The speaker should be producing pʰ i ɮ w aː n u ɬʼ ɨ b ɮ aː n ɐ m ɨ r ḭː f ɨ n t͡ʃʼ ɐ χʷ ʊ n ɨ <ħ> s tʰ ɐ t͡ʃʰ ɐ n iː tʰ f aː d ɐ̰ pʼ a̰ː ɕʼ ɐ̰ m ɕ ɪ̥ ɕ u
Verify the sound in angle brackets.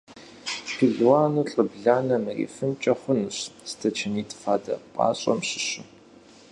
incorrect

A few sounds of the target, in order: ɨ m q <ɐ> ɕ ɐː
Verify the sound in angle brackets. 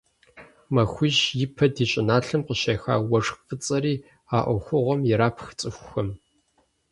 incorrect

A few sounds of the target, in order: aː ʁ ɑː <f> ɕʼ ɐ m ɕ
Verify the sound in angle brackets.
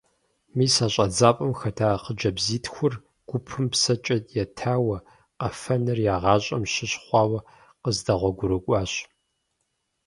incorrect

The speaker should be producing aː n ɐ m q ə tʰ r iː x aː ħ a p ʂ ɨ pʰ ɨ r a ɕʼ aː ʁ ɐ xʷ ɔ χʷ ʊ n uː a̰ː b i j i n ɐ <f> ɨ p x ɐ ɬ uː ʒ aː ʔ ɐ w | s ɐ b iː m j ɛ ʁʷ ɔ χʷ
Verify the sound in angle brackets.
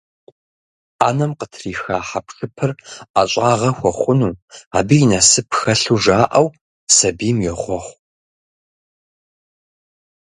incorrect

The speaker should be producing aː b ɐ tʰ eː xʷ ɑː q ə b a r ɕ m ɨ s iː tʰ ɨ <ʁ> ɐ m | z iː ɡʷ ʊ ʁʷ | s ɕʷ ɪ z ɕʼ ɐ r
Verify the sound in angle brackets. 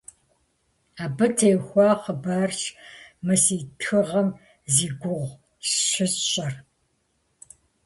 correct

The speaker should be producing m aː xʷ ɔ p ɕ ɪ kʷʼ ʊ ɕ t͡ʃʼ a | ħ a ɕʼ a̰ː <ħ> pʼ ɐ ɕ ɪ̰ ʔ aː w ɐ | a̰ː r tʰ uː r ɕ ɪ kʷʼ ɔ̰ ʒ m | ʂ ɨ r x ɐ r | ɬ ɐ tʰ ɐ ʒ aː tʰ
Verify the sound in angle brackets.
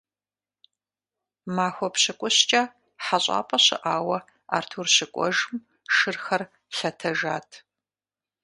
incorrect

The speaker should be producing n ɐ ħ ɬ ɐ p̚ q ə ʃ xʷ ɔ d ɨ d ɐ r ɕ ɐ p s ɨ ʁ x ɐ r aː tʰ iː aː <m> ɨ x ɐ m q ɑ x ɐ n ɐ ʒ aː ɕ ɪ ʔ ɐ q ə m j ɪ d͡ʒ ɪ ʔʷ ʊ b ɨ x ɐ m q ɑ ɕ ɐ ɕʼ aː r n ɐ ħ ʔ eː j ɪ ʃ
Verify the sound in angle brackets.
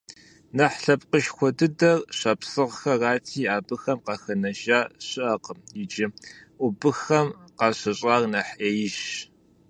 incorrect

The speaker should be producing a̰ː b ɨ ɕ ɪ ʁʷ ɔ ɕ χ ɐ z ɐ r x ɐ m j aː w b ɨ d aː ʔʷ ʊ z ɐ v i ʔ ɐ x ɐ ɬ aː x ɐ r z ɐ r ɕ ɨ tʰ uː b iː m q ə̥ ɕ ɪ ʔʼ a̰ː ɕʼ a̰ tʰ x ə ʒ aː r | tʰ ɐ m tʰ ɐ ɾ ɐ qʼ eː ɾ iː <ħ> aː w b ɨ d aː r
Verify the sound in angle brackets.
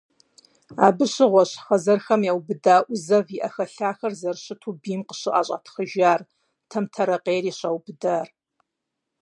incorrect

